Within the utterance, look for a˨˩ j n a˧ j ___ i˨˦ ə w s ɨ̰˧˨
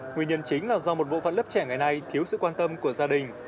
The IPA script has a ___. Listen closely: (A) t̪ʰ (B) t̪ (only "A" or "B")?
A